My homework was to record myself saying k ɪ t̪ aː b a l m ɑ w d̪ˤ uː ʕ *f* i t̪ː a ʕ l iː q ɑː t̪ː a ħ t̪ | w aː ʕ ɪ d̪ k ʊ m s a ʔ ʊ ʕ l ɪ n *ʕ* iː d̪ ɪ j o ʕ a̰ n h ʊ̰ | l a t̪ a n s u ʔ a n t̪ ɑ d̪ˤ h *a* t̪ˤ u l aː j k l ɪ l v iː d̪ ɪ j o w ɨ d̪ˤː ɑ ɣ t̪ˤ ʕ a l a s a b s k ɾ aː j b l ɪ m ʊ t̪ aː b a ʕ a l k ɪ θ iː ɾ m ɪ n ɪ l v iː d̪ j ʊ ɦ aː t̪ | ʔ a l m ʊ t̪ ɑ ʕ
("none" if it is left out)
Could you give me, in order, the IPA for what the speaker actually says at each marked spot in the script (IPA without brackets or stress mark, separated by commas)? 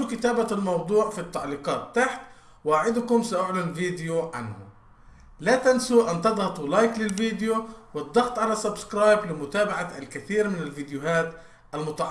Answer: f, v, ɑ